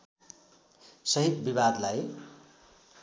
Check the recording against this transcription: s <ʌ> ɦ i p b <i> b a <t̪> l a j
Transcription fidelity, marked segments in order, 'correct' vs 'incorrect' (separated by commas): correct, correct, incorrect